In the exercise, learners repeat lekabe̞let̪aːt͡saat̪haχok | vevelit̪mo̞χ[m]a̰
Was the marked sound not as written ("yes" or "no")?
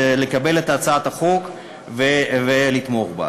yes